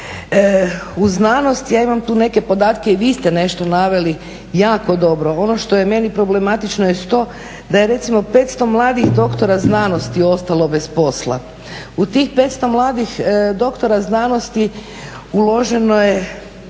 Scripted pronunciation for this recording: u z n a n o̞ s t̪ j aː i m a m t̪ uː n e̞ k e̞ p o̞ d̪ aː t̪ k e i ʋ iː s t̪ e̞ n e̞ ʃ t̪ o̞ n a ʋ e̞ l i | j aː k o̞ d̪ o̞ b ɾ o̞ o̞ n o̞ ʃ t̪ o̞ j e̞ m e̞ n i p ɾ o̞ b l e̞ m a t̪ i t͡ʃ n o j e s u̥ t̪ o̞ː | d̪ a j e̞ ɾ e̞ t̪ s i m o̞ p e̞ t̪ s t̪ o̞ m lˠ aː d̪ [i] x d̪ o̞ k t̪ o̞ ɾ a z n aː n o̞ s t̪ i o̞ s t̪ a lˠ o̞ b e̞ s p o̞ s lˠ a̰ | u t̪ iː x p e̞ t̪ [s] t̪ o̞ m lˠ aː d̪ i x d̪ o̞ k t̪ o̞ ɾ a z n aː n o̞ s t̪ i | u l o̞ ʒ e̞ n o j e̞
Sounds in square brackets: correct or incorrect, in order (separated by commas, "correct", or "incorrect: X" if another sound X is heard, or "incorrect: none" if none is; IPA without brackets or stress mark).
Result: correct, correct